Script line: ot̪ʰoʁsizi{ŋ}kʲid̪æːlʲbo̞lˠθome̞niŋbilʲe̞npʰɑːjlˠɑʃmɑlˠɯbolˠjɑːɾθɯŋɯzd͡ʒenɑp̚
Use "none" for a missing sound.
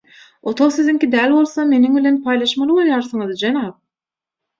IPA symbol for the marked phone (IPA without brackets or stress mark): ŋ